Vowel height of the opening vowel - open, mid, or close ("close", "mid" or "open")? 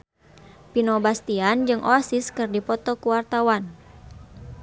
close